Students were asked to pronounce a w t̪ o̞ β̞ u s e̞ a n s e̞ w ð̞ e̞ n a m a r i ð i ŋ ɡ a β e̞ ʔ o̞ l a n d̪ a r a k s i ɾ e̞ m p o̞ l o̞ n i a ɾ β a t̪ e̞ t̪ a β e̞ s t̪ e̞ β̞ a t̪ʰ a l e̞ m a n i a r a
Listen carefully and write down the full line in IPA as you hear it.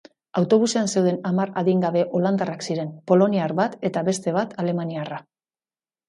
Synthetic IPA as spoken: a w t̪ o̞ β̞ u s e̞ a n s e̞ w ð̞ e̞ n a m a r a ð i ŋ ɡ a β e̞ ʔ o̞ l a n d̪ a r a k s i ɾ e̞ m p o̞ l o̞ n i a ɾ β a t̪ e̞ t̪ a β e̞ s t̪ e̞ β̞ a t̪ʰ a l e̞ m a n i a r a